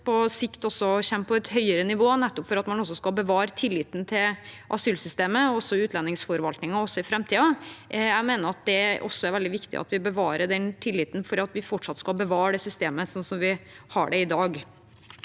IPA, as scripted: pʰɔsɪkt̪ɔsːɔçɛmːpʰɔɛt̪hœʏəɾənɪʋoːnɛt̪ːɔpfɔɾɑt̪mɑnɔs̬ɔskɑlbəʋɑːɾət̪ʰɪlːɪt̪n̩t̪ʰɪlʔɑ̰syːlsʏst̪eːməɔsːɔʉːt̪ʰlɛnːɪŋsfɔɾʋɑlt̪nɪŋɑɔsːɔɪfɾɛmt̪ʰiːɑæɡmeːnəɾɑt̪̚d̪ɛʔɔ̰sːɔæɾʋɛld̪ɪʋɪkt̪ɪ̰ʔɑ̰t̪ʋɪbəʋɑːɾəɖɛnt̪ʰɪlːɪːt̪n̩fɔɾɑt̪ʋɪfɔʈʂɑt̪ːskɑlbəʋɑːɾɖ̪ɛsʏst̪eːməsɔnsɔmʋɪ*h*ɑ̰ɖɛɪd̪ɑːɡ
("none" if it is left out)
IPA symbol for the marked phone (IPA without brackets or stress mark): h